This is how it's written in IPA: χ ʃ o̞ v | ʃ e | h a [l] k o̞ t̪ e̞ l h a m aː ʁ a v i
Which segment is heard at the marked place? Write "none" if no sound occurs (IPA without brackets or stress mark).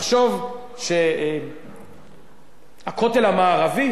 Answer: none